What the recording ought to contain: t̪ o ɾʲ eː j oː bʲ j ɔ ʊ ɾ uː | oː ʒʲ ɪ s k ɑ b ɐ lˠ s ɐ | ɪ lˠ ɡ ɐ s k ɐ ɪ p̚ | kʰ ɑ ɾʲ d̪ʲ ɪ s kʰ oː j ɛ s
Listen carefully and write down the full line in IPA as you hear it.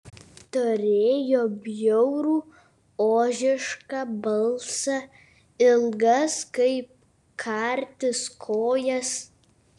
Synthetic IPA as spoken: t̪ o ɾʲ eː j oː bʲ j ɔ ʊ ɾ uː | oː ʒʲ ɪ ʃ k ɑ b ɐ lˠ s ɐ | ɪ lˠ ɡ ɐ s k ɐ ɪ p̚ | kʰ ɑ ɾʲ t̪ʲ ɪ s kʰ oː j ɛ s

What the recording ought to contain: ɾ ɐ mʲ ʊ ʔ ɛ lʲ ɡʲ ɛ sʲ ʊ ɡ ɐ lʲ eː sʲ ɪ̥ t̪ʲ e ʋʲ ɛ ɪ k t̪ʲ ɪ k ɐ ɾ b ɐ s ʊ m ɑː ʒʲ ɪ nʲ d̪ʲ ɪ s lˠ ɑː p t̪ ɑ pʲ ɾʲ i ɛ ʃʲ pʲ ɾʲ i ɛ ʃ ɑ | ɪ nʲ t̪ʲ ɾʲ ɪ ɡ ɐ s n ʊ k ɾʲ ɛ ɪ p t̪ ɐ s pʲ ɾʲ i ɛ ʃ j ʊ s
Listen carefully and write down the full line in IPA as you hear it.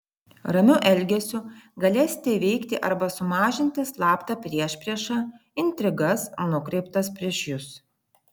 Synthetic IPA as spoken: ɾ ɐ mʲ ʊ ʔ ɛ lʲ ɡʲ ɛ sʲ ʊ ɡ ɐ lʲ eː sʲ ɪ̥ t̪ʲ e ʋʲ ɛ ɪ k t̪ʲ ɪ ʔ ɐ ɾ b ɐ s ʊ m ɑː ʒʲ ɪ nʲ t̪ʲ ɪ s lˠ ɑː p t̪ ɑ pʲ ɾʲ i ɛ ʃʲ pʲ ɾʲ i ɛ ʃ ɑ | ɪ nʲ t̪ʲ ɾʲ ɪ ɡ ɐ s n ʊ k ɾʲ ɛ ɪ p t̪ ɐ s pʲ ɾʲ i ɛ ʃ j ʊ s

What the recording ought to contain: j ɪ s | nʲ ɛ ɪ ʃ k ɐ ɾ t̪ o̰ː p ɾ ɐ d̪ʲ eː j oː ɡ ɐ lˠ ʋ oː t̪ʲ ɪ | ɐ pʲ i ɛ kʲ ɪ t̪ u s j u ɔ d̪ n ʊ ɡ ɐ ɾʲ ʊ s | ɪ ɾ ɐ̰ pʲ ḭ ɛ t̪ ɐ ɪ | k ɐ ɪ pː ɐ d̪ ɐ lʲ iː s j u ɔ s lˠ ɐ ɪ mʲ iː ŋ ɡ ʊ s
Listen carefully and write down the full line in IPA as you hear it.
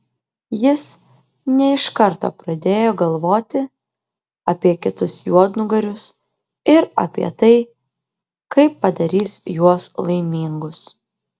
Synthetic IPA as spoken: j ɪ s | nʲ ɛ ɪ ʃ k ɐ ɾ t̪ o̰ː p ɾ ɐ d̪ʲ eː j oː ɡ ɐ lˠ ʋ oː t̪ʲ ɪ | ɐ pʲ i ɛ kʲ ɪ t̪ ʊ s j u ɔ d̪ n ʊ ɡ ɐ ɾʲ ʊ s | ɪ ɾ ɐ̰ pʲ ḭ ɛ t̪ ɐ ɪ | k ɐ ɪ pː ɐ d̪ ɐ ɾʲ iː s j u ɔ s lˠ ɐ ɪ mʲ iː ŋ ɡ ʊ s

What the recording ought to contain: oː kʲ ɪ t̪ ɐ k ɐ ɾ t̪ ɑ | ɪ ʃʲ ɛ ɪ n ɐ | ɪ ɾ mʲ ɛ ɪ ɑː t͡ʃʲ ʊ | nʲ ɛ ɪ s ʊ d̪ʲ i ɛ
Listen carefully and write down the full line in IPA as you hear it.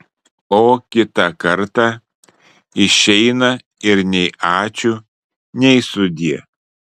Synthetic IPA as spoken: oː kʲ ɪ t̪ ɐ k ɐ ɾ t̪ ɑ | ɪ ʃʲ ɛ ɪ n ɐ | ɪ ɾ nʲ ɛ ɪ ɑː t͡ʃʲ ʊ | nʲ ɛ ɪ s ʊ d̪ʲ i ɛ

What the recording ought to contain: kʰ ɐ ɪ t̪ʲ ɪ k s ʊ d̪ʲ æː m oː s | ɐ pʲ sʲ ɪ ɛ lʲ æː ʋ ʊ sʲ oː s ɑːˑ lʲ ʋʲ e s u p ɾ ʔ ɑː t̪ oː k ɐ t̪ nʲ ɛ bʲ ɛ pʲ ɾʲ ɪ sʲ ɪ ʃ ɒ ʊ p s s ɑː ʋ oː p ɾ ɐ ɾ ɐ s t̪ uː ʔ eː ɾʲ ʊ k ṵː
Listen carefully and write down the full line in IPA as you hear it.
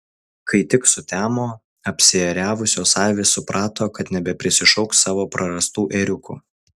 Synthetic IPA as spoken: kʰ ɐ ɪ t̪ʲ ɪ k s ʊ t̪ʲ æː m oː | ɐ pʲ sʲ ɪ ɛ ɾʲ æː ʋ ʊ sʲ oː s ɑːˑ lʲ ʋʲ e s ʊ p ɾ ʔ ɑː t̪ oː k ɐ t̪ nʲ ɛ bʲ ɛ pʲ ɾʲ ɪ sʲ ɪ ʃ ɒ ʊ k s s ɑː ʋ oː p ɾ ɐ ɾ ɐ s t̪ uː ʔ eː ɾʲ ʊ k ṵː

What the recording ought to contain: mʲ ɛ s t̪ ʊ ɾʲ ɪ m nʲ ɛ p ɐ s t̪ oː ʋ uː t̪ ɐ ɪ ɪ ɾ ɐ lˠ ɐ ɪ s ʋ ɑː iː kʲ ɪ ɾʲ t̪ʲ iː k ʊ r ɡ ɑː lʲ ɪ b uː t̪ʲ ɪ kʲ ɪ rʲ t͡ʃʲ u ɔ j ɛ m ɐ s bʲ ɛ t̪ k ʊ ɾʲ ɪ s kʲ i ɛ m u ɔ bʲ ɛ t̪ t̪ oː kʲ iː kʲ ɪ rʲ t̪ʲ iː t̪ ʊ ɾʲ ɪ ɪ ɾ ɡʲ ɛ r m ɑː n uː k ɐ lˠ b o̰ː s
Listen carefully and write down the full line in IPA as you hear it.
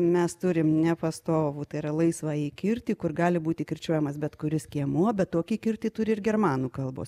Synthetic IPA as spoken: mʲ ɛ s t̪ ʊ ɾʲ ɪ m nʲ ɛ p ɐ s t̪ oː ʋ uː t̪ ɐ ɪ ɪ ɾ ɐ lˠ ɐ ɪ s ʋ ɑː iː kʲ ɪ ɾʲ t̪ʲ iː k ʊ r ɡ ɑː lʲ ɪ b uː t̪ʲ ɪ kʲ ɪ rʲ t͡ʃʲ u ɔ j ɛ m ɐ s bʲ ɛ t̪ k ʊ ɾʲ ɪ s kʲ i ɛ m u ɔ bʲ ɛ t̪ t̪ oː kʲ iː kʲ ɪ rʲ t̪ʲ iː t̪ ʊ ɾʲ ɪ ɪ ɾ ɡʲ ɛ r m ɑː n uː k ɐ lˠ b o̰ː s

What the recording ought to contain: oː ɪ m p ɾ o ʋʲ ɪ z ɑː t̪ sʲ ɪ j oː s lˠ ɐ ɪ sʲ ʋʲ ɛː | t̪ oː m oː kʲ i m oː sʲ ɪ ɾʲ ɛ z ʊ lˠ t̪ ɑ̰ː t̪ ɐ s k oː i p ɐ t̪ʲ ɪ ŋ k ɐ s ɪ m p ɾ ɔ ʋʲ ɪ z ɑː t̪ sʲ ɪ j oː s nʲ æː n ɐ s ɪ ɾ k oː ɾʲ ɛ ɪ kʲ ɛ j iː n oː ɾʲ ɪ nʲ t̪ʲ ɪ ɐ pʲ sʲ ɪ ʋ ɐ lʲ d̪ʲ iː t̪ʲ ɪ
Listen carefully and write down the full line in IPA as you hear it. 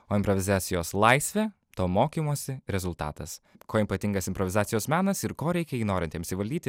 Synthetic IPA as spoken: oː ɪ m p ɾ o ʋʲ ɪ z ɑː t̪ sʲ ɪ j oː s lˠ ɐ ɪ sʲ ʋʲ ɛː | t̪ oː m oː kʲ i m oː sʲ ɪ ɾʲ ɛ z ʊ lˠ t̪ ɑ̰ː t̪ ɐ s k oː i p ɐ t̪ʲ ɪ ŋ ɡ ɐ s ɪ m p ɾ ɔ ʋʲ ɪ z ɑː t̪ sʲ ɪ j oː s mʲ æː n ɐ s ɪ ɾ k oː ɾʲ ɛ ɪ kʲ ɛ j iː n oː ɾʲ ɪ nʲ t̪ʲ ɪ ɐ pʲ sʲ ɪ ʋ ɐ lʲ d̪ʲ iː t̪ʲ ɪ

